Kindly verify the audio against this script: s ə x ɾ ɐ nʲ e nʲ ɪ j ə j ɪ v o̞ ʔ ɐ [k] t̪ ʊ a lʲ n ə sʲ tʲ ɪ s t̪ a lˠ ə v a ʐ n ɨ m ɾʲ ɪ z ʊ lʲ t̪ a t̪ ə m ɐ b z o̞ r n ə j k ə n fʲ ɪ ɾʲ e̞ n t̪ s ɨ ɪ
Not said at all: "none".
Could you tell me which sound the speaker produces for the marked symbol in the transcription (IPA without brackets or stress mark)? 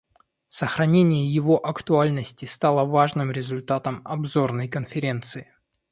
k